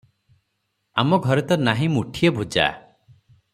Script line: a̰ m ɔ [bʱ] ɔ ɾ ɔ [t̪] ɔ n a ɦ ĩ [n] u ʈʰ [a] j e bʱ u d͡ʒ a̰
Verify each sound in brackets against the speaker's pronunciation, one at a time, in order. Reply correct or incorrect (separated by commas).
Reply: incorrect, correct, incorrect, incorrect